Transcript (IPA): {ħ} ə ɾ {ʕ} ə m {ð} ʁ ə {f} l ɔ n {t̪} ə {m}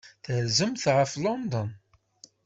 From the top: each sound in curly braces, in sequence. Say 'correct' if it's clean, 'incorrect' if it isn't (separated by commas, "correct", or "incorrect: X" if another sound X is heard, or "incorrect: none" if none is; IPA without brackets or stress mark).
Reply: incorrect: θ, incorrect: z, incorrect: θ, correct, incorrect: d̪, incorrect: n